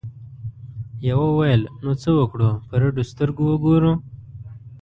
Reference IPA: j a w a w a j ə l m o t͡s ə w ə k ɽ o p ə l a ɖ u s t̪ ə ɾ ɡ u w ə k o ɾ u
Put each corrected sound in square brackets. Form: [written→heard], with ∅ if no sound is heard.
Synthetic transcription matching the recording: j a w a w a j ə l [m→n] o t͡s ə w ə k ɽ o p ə [l→ɾ] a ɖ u s t̪ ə ɾ ɡ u w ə [k→ɡ] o ɾ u